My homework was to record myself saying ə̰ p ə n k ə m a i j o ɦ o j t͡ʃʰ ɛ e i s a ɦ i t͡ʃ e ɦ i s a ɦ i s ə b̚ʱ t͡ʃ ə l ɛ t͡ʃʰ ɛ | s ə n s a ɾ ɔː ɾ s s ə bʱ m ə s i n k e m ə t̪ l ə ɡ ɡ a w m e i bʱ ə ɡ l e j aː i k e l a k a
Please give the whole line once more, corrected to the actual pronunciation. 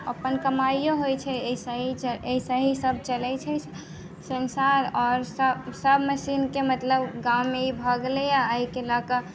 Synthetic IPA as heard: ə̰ p ə n k ə m a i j o ɦ o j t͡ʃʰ ɛ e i s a ɦ i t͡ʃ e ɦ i s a ɦ i s ə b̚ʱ t͡ʃ ə l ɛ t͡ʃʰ ɛ | s ə n s a ɾ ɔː ɾ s s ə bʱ m ə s i n k e m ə t̪ l ə b ɡ a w m e i bʱ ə ɡ l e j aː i k e l a k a